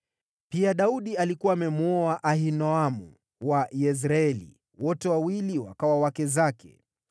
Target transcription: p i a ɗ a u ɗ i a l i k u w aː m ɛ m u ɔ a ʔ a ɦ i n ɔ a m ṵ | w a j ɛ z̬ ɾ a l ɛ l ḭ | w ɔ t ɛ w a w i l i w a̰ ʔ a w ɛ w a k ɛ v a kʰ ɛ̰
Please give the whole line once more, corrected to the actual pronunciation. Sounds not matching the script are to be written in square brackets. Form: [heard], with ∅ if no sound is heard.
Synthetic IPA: p i a ɗ a u ɗ i a l i k u w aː m ɛ m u ɔ a ʔ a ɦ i n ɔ a m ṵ | w a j ɛ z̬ ɾ a [∅] ɛ l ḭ | w ɔ t ɛ w a w i l i w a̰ [k] a w [a] w a k ɛ [z] a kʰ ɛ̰